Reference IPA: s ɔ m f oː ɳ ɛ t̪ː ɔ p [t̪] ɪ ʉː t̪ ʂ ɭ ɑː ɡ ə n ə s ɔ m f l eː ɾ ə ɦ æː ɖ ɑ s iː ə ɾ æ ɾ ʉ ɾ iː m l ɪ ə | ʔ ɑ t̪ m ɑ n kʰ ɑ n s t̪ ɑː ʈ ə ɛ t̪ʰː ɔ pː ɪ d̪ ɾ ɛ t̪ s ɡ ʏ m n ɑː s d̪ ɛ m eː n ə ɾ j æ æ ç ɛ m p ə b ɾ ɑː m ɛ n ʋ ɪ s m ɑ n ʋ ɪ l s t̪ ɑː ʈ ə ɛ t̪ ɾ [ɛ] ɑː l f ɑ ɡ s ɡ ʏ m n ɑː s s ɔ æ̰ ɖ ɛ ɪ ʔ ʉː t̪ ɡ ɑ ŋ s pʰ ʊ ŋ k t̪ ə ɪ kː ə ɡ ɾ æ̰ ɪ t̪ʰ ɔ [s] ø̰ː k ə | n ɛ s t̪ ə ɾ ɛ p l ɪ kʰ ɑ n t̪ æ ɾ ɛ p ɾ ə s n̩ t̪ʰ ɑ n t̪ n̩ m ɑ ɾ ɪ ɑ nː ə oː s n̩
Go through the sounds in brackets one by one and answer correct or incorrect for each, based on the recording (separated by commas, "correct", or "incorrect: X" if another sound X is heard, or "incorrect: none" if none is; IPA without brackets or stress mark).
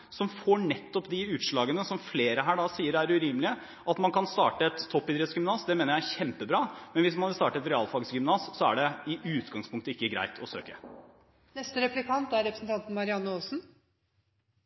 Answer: incorrect: d̪, correct, correct